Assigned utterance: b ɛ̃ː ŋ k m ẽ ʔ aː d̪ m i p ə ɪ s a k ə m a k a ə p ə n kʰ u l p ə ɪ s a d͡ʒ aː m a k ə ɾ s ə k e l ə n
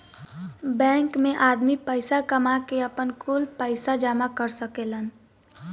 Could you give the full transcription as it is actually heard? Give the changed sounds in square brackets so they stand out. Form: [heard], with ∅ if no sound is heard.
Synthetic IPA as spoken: b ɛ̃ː ŋ k m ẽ ʔ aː d̪ m i p ə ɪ s a k ə m a k [e] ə p ə n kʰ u l p ə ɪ s a d͡ʒ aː m a k ə ɾ s ə k e l ə n